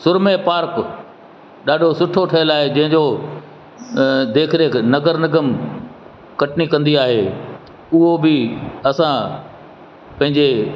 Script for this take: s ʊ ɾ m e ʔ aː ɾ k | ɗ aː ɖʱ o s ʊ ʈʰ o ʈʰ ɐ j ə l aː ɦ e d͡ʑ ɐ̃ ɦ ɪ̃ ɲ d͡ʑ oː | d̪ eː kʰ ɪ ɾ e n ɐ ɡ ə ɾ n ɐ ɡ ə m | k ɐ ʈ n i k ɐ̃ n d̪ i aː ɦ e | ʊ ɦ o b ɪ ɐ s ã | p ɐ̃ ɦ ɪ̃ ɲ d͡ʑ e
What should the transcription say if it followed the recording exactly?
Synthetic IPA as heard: s ʊ ɾ m e p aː ɾ k | ɗ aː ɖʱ o s ʊ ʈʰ o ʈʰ ɐ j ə l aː ɦ e d͡ʑ ɐ̃ ɦ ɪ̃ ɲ d͡ʑ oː | d̪ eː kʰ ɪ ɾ e n ɐ ɡ ə ɾ n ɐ ɡ ə m | k ɐ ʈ n i k ɐ̃ n d̪ i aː ɦ e | ʊ ɦ o b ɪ ɐ s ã | p ɐ̃ ɦ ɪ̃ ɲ d͡ʑ e